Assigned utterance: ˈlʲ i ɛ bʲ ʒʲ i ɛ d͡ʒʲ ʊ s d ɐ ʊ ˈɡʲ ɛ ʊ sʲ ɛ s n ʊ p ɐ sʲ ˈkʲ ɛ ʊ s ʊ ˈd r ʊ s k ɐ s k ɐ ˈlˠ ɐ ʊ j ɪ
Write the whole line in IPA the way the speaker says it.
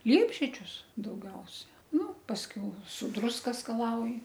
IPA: ˈlʲ i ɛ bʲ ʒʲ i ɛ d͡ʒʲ ʊ s d ɐ ʊ ˈɡʲ ɛ ʊ sʲ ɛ n ʊ p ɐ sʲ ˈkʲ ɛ ʊ s ʊ ˈd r ʊ s k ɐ s k ɐ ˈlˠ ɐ ʊ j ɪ